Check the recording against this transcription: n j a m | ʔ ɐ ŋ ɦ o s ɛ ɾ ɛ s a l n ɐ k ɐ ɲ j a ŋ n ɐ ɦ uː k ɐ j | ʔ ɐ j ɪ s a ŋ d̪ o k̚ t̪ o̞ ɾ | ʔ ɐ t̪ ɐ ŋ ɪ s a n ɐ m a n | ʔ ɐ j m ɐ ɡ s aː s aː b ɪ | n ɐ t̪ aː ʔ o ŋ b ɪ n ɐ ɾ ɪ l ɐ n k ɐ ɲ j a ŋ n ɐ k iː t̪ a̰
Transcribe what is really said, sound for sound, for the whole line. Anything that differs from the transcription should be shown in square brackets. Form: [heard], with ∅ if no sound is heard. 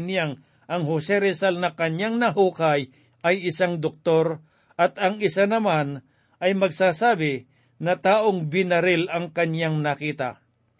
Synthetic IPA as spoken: n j a [ŋ] | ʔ ɐ ŋ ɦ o s ɛ ɾ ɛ s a l n ɐ k ɐ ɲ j a ŋ n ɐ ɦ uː k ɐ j | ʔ ɐ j ɪ s a ŋ d̪ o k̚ t̪ o̞ ɾ | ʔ ɐ t̪ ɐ ŋ ɪ s a n ɐ m a n | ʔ ɐ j m ɐ ɡ s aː s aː b ɪ | n ɐ t̪ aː ʔ o ŋ b ɪ n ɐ ɾ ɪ l ɐ [ŋ] k ɐ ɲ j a ŋ n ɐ k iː t̪ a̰